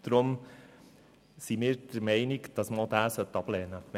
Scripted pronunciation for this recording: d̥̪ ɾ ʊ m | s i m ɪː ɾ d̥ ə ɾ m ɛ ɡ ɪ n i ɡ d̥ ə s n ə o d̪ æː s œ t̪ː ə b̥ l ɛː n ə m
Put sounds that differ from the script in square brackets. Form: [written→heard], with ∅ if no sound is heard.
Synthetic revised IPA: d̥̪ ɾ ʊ m | s i m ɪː ɾ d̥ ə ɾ m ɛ [ɡ→∅] ɪ n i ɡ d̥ [ə→ɑ] s [n→m] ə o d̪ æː s œ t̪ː [ə→ɑ] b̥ l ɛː n ə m